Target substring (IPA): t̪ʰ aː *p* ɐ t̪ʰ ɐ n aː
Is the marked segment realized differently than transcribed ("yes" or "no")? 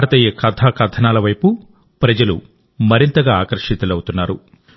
yes